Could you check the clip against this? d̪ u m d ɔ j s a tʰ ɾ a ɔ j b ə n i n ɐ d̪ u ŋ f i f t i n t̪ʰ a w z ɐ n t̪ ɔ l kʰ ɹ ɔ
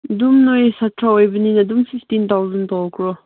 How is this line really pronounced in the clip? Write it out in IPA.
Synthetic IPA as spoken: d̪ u m n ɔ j s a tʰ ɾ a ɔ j b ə n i n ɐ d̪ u m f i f t i n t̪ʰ a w z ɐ n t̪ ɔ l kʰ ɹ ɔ

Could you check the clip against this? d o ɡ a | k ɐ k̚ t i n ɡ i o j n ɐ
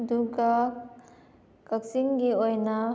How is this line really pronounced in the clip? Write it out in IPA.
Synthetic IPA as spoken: d u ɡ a | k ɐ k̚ s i ŋ ɡ i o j n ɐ

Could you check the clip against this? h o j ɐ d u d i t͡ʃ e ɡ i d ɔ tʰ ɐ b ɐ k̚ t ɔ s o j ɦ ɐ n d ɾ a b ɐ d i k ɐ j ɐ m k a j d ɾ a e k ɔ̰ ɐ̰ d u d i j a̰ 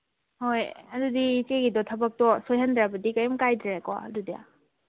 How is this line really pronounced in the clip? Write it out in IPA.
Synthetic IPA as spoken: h o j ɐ d u d i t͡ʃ e ɡ i d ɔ tʰ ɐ b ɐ k̚ t ɔ s o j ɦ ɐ n d ɾ a b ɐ d i k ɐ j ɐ m k a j d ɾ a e k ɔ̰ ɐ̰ d u d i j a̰

